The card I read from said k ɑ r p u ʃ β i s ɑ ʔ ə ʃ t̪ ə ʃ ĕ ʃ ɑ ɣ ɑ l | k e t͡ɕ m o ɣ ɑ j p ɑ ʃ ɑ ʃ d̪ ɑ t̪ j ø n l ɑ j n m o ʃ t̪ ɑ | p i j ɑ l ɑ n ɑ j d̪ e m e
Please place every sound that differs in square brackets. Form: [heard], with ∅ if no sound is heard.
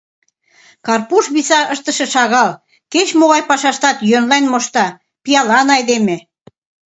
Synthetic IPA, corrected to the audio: k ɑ r p u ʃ β i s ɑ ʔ ə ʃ t̪ ə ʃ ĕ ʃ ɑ ɣ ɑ l | k e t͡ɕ m o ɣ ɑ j p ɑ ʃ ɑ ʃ [t̪] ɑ t̪ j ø n l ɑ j n m o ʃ t̪ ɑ | p i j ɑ l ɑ n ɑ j d̪ e m e